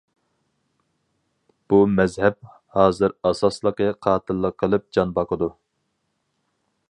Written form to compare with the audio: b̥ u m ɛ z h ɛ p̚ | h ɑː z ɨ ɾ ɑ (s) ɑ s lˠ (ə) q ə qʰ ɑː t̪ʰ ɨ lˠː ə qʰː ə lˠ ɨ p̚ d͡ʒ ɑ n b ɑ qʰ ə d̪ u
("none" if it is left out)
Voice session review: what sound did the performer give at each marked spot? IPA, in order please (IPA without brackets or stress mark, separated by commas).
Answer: s, ə